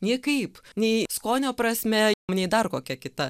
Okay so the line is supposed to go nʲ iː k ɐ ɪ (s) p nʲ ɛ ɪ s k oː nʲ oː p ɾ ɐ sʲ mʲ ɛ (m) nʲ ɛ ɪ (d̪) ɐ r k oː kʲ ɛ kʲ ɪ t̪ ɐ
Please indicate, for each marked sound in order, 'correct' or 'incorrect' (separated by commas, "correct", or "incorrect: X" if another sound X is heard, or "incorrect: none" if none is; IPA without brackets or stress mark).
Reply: incorrect: none, correct, correct